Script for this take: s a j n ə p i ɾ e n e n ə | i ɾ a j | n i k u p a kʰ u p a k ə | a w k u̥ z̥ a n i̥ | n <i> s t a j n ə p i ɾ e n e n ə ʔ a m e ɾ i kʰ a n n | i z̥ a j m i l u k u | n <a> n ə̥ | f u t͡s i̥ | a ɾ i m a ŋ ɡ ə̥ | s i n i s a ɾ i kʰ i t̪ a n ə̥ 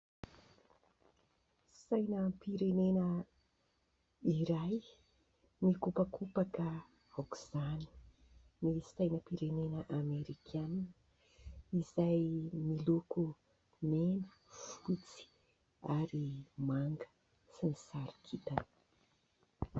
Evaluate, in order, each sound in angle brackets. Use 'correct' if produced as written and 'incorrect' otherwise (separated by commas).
correct, incorrect